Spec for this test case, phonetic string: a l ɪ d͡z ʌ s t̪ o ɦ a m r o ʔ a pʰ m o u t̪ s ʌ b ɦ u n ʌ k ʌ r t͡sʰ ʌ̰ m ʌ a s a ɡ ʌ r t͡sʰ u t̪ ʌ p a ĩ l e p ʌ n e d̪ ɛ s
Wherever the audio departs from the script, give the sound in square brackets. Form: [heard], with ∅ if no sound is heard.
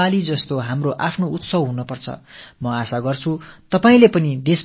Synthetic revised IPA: a l [i] d͡z ʌ s t̪ o ɦ a m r o ʔ a pʰ [n] o u t̪ s ʌ b ɦ u n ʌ [p] ʌ r t͡sʰ ʌ̰ m ʌ a s a ɡ ʌ r t͡sʰ u t̪ ʌ p a ĩ l e p ʌ n [i] d̪ [e] s